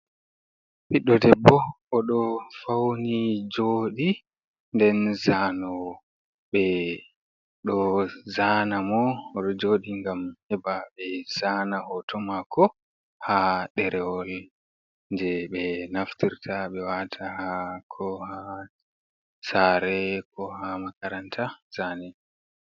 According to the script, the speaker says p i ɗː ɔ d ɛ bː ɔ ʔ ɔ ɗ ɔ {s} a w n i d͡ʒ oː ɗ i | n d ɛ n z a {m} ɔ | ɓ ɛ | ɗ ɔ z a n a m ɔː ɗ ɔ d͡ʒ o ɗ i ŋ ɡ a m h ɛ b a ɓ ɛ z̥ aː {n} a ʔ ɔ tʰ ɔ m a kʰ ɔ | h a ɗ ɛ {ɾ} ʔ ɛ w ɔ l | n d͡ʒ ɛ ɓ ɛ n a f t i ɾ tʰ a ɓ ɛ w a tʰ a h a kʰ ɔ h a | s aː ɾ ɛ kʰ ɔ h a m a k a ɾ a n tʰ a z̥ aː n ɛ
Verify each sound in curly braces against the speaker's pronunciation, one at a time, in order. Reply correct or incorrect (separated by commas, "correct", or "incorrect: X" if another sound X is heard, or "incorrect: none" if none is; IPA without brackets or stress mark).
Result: incorrect: f, incorrect: n, correct, correct